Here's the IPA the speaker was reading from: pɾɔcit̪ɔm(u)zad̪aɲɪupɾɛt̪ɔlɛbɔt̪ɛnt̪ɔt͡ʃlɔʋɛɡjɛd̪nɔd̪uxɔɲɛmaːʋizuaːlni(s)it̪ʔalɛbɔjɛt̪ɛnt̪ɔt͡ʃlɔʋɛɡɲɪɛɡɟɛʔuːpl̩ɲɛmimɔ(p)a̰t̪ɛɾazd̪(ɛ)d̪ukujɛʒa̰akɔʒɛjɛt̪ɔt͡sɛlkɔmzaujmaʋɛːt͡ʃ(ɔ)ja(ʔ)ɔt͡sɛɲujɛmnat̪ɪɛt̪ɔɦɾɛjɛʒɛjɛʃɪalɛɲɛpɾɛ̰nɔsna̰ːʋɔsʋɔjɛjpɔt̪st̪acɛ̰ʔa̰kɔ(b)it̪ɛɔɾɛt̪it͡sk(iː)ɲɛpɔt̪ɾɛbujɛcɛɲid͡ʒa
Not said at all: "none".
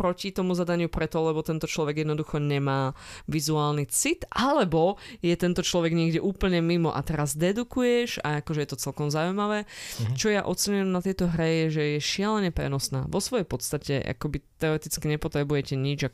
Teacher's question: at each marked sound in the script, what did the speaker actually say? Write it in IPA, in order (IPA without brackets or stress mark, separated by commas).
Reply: u, t͡s, ʔ, ɛ, ɔ, ʔ, b, i